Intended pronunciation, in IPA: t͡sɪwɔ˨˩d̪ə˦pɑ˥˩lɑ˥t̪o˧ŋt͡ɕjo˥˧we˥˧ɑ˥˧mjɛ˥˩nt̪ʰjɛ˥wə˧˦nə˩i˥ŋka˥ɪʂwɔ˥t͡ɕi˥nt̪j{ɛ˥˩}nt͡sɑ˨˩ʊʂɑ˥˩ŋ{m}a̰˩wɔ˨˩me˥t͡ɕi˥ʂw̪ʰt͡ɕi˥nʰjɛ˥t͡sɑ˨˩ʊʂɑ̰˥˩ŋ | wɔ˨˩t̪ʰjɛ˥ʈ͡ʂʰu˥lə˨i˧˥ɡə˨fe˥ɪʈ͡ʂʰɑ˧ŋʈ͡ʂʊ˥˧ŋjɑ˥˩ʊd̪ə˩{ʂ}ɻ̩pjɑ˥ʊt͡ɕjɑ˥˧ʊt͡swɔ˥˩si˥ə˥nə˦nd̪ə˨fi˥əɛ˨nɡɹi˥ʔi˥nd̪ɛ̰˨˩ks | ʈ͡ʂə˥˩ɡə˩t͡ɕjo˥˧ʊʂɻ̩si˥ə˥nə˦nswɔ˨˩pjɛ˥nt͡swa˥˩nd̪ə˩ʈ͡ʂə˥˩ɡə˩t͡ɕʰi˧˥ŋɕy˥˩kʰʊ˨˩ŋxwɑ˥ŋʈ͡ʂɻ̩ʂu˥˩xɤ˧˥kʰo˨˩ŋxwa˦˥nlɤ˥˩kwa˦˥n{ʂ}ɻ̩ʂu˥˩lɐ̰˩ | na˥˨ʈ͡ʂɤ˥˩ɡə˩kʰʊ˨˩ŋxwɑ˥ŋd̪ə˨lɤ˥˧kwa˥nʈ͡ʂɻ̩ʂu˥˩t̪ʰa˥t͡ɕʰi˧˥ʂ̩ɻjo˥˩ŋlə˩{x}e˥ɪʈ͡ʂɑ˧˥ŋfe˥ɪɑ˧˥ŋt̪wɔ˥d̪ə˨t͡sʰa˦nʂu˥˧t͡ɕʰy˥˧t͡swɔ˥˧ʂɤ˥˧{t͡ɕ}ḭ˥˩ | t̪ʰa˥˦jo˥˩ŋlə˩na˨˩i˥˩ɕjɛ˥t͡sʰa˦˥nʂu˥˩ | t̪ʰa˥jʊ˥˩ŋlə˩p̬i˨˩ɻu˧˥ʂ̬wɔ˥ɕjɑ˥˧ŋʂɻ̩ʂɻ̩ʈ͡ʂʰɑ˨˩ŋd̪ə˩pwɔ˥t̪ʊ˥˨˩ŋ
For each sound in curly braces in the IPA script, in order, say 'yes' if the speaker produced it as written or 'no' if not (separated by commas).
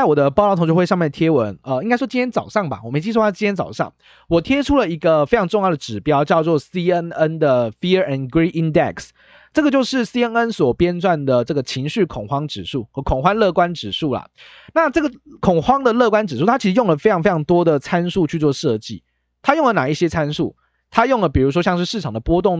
no, no, no, no, no, yes